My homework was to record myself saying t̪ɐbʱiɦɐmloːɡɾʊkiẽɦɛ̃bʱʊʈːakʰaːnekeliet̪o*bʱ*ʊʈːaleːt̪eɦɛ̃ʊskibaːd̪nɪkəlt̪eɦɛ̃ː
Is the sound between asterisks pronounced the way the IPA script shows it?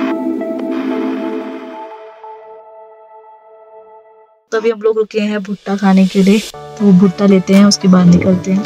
yes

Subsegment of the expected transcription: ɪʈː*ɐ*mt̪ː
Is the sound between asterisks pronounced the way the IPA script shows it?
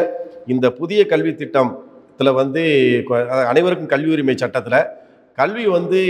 yes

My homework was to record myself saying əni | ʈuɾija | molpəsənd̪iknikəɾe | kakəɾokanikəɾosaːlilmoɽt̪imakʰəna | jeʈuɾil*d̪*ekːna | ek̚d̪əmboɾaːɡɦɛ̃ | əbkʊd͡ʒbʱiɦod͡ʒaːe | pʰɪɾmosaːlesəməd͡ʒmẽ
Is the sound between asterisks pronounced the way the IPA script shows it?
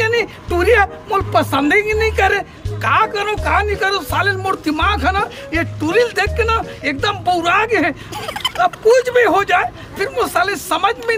yes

